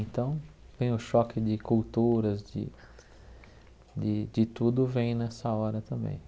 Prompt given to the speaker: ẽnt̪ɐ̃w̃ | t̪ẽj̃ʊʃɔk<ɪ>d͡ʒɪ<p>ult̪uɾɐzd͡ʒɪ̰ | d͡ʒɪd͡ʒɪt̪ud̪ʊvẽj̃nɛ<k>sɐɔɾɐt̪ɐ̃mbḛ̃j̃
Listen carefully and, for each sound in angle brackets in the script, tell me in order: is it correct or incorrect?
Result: correct, incorrect, incorrect

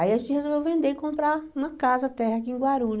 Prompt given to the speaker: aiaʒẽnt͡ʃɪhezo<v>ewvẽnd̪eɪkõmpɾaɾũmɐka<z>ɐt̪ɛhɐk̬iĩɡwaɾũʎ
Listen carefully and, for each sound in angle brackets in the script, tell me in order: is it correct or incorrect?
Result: correct, correct

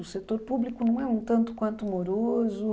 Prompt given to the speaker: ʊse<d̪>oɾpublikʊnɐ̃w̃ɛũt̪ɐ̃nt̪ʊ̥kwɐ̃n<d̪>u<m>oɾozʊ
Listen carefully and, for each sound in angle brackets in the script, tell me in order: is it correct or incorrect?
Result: incorrect, incorrect, correct

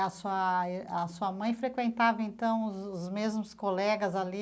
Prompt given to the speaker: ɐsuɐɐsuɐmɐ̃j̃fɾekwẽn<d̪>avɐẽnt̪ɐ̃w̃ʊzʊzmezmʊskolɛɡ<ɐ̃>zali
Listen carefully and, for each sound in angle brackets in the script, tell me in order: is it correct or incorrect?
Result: incorrect, incorrect

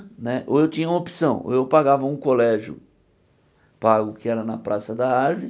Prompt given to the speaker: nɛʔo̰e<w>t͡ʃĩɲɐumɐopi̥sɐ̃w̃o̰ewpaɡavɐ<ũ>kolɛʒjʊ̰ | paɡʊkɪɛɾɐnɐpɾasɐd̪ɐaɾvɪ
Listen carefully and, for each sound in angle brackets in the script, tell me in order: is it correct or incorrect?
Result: correct, correct

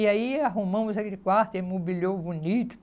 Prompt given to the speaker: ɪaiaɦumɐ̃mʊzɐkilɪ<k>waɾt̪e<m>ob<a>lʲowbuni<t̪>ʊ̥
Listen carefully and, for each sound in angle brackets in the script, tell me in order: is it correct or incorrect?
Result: correct, correct, incorrect, correct

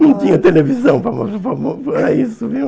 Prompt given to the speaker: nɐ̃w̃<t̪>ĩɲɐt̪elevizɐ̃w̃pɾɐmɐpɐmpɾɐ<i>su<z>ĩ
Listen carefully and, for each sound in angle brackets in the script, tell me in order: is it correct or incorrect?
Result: correct, correct, incorrect

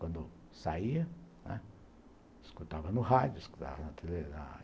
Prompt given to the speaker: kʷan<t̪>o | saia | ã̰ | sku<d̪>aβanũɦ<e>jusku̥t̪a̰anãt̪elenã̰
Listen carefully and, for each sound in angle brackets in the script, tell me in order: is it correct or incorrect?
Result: incorrect, incorrect, incorrect

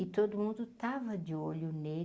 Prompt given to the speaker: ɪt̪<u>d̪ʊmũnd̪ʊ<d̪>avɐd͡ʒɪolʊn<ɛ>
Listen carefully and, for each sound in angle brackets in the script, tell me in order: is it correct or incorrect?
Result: incorrect, incorrect, incorrect

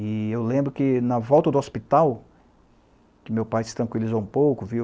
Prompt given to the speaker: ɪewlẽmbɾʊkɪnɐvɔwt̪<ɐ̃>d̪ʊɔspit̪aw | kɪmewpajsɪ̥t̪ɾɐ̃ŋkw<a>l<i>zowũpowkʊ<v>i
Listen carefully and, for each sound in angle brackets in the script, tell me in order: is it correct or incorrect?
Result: incorrect, incorrect, correct, correct

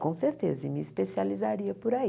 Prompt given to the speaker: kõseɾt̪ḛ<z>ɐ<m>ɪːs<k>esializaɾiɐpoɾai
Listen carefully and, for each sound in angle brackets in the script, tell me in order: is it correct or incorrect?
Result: correct, correct, incorrect

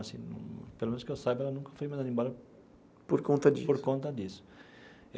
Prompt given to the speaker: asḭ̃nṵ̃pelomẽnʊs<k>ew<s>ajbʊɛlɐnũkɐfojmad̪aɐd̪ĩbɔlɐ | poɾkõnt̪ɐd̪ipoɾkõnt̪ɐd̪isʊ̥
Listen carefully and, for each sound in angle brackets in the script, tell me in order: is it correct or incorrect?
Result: correct, correct

